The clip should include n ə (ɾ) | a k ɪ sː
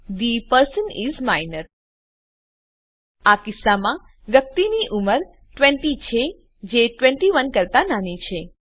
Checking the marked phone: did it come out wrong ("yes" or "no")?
no